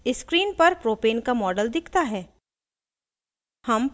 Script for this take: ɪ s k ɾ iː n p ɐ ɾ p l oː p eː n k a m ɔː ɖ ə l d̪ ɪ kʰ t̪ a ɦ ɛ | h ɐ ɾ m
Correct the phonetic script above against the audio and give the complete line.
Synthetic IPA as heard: ɪ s k ɾ iː n p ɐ ɾ p ɾ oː p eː n k a m ɔː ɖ ə l d̪ ɪ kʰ t̪ a ɦ ɛː | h ɐ m